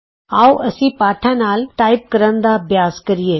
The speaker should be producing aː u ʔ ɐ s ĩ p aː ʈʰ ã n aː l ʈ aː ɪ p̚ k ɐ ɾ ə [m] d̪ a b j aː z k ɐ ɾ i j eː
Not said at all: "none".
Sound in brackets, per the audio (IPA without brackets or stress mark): n